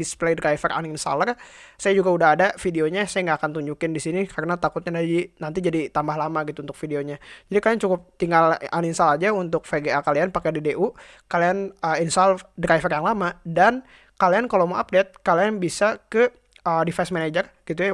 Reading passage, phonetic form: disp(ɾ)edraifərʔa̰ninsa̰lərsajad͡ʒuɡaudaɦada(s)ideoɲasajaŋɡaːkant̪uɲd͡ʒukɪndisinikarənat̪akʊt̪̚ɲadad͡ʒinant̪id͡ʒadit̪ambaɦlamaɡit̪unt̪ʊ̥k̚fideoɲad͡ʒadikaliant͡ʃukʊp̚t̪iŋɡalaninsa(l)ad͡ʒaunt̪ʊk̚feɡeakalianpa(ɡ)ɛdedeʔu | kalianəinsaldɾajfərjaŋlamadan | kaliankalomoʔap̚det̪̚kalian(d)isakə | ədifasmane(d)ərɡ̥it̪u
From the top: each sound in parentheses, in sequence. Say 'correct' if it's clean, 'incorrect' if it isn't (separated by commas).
incorrect, incorrect, correct, incorrect, incorrect, incorrect